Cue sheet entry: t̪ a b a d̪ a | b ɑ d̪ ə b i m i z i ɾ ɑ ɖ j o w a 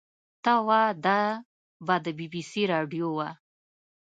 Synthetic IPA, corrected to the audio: t̪ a w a d̪ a | b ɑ d̪ ə b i b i s i ɾ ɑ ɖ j o w a